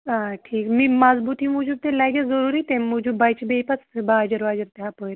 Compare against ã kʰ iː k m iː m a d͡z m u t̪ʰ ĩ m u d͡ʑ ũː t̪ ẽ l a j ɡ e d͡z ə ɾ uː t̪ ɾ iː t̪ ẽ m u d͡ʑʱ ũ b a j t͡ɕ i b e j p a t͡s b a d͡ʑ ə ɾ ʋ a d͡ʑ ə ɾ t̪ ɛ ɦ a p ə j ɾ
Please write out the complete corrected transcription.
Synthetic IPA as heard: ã ʈʰ iː k m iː m a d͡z b u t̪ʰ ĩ m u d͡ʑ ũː t̪ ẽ l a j ɡ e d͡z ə ɾ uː ɾ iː t̪ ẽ m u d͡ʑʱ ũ b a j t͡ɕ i b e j p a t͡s b a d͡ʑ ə ɾ ʋ a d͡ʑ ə ɾ t̪ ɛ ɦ a p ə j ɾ